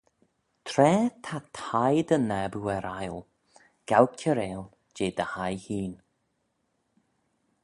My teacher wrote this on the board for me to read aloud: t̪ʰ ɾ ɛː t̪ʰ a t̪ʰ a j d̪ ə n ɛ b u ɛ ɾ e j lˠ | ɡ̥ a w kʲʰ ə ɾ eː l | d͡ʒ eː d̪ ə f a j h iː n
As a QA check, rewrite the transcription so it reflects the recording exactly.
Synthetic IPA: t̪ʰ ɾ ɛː t̪ʰ a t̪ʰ a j d̪ ə n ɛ b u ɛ ɾ a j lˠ | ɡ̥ a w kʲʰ ə ɾ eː l | d͡ʒ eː d̪ ə h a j h iː n